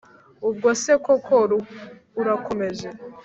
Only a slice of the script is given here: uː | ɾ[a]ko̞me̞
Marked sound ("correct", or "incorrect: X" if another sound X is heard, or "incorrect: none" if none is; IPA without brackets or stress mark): correct